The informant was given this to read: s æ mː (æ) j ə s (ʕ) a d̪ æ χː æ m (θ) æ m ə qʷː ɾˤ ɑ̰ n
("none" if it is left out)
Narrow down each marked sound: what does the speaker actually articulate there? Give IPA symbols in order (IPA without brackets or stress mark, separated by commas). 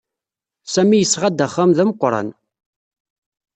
i, ʁ, ð